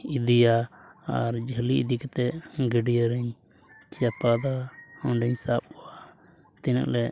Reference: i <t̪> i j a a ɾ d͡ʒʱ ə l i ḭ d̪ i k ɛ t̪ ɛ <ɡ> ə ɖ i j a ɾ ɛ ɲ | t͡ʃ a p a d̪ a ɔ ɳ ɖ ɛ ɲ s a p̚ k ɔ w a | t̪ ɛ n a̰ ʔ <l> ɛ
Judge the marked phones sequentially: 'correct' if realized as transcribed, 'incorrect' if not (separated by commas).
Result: incorrect, correct, correct